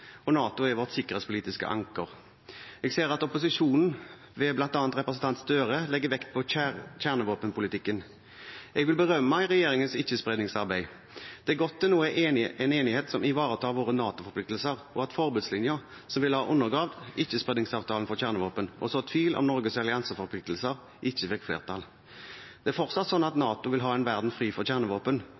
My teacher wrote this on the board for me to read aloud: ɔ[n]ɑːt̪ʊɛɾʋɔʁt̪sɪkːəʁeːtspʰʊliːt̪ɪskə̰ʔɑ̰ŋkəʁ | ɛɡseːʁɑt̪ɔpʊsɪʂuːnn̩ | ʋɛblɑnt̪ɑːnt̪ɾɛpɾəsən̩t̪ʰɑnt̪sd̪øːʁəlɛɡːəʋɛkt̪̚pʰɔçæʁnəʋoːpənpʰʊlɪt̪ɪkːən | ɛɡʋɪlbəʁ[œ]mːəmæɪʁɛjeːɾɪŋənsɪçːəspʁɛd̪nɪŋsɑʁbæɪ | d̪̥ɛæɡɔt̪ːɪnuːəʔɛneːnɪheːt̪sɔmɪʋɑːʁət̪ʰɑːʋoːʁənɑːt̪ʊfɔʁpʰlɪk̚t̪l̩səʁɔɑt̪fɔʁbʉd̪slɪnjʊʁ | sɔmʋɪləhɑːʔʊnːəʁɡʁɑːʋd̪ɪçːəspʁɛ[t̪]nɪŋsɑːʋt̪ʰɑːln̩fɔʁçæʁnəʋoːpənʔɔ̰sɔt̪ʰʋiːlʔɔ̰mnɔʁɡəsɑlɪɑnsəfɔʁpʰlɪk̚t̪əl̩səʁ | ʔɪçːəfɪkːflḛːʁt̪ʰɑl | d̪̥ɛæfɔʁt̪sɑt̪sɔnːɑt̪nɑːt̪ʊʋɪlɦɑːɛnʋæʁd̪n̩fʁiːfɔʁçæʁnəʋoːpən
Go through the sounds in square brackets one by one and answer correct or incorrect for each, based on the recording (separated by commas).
correct, correct, incorrect